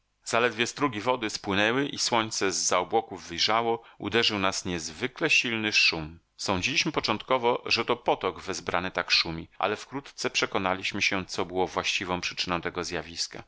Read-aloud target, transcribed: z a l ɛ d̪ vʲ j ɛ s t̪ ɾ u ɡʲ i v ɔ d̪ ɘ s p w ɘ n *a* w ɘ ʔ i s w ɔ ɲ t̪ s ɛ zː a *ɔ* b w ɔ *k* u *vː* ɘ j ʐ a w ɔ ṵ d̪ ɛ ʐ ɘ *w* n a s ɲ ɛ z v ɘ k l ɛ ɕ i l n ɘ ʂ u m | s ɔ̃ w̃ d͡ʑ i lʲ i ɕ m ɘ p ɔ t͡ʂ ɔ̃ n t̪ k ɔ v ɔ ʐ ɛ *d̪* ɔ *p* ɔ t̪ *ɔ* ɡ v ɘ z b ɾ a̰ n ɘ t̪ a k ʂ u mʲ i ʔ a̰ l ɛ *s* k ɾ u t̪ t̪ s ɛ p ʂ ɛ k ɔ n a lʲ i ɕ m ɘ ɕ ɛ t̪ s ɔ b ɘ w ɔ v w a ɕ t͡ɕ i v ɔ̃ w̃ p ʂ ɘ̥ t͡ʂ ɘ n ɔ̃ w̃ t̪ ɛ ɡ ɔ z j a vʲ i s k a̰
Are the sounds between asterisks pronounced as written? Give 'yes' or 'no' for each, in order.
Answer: no, yes, yes, yes, yes, no, yes, yes, no

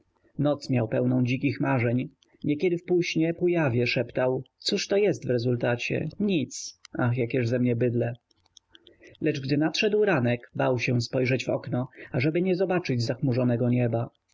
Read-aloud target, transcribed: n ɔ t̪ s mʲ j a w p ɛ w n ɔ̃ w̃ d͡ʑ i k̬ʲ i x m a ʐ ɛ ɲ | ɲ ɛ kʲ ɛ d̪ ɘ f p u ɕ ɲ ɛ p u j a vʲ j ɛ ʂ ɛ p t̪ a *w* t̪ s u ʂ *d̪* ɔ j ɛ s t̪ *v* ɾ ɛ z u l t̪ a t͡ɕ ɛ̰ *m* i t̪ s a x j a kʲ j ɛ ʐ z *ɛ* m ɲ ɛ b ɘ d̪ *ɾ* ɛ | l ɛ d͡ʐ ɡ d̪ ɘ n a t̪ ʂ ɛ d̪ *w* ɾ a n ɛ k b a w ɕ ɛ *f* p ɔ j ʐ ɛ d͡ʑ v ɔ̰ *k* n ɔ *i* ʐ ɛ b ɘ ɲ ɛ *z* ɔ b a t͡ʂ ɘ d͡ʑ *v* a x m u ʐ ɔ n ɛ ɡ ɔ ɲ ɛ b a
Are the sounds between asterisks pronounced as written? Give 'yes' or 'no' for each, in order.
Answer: yes, no, yes, no, yes, no, yes, no, yes, no, yes, no

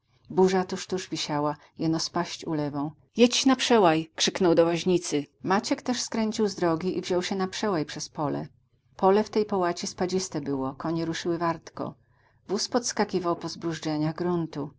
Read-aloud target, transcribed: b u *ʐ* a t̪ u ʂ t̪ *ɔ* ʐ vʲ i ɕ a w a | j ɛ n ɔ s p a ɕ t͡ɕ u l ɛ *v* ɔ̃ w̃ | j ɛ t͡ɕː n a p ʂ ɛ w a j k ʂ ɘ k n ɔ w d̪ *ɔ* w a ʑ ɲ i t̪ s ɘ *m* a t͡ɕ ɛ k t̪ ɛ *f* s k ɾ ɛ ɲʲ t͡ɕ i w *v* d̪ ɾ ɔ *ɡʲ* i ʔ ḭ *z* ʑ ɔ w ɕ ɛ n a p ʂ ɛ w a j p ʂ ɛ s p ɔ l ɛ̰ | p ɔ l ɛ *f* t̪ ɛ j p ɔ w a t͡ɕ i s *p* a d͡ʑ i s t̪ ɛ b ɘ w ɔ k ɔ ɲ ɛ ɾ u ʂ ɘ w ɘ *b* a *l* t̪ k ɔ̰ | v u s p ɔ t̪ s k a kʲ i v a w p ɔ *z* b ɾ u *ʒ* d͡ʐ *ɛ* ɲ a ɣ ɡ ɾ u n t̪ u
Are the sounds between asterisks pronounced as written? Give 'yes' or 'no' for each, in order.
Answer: yes, no, yes, yes, yes, no, no, yes, no, yes, yes, no, no, yes, no, yes

